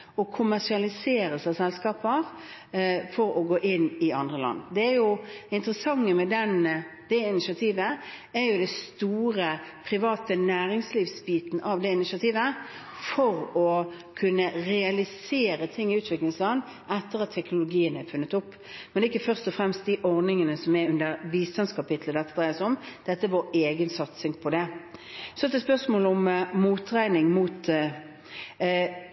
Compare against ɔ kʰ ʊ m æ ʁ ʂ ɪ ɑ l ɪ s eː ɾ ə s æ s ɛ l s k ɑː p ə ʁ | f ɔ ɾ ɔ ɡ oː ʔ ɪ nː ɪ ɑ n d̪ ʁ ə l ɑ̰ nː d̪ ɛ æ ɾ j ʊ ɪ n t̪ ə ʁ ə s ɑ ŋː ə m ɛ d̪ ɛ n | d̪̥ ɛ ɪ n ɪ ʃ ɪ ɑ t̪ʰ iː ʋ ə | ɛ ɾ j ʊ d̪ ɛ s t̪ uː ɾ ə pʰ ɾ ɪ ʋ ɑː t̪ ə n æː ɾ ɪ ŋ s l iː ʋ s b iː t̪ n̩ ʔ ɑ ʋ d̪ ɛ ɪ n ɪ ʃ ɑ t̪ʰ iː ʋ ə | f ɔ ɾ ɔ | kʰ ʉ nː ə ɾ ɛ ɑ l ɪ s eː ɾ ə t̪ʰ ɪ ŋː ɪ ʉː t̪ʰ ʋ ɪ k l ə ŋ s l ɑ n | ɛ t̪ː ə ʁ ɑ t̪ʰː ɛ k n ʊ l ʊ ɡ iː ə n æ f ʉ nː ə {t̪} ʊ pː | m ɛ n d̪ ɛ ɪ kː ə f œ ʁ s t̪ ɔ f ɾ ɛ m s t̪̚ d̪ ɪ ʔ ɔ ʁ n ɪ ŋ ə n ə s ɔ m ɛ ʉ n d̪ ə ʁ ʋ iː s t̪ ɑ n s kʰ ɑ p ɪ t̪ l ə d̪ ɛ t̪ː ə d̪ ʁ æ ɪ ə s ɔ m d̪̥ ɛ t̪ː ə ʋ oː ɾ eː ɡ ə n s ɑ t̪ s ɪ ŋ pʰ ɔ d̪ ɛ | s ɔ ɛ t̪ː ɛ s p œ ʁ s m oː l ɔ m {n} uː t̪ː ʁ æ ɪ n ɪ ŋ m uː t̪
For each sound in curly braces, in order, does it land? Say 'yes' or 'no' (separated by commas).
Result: yes, no